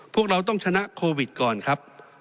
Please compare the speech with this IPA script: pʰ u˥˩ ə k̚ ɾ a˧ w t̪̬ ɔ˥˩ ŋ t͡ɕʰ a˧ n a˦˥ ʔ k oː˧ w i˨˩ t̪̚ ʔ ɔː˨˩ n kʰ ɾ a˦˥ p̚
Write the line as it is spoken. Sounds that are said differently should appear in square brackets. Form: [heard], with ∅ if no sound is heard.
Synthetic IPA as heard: pʰ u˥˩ ə k̚ ɾ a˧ w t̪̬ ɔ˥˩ ŋ t͡ɕʰ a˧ n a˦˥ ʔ [kʰ] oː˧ w i˨˩ t̪̚ [k] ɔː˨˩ n kʰ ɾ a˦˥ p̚